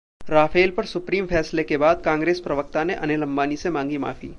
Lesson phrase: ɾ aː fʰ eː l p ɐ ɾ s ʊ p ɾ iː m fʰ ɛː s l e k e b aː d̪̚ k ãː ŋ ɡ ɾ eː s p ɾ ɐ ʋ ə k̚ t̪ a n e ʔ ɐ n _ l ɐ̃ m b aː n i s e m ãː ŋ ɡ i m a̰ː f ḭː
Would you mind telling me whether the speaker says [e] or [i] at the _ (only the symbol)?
e